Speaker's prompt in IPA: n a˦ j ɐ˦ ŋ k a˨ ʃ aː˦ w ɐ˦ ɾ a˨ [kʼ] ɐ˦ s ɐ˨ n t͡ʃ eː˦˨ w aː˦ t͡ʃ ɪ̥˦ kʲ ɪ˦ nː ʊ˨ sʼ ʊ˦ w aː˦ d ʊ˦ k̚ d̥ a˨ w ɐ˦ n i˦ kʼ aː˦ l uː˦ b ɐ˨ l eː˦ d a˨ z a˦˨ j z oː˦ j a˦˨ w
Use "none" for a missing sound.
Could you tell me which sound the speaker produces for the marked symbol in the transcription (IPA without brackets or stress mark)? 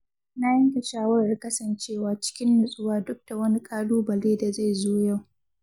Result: k